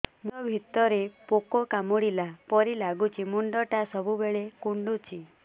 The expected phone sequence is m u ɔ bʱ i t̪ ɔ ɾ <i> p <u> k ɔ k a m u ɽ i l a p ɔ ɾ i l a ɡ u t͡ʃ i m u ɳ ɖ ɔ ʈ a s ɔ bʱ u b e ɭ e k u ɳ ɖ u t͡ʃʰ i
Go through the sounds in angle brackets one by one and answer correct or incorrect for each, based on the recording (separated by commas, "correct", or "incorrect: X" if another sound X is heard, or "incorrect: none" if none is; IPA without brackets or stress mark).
incorrect: e, incorrect: o